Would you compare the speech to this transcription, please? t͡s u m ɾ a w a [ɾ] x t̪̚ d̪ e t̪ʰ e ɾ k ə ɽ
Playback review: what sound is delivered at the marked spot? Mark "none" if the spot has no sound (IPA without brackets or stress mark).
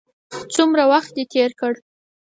none